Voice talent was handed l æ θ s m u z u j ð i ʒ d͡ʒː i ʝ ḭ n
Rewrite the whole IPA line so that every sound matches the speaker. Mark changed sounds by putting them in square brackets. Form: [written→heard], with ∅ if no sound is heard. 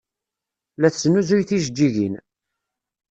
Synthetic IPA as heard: l æ θ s [m→n] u z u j [ð→θ] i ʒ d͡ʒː i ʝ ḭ n